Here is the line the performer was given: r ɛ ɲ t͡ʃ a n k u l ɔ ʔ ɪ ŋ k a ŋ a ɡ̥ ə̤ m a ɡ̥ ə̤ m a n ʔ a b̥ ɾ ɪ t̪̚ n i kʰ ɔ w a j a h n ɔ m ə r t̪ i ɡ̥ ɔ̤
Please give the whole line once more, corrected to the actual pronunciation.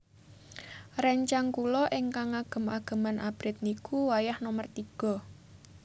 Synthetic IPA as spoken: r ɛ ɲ t͡ʃ a ŋ k u l ɔ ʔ ɪ ŋ k a ŋ a ɡ̥ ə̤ m a ɡ̥ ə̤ m a n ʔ a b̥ ɾ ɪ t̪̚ n i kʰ u w a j a h n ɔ m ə r t̪ i ɡ̥ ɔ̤